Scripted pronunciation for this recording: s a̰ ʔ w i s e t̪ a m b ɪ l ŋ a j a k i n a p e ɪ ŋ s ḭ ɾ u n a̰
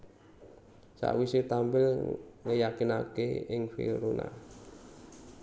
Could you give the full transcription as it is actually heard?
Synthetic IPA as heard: s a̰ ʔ w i s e t̪ a m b ɪ l ŋ ə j a k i n a k e ɪ ŋ f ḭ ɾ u n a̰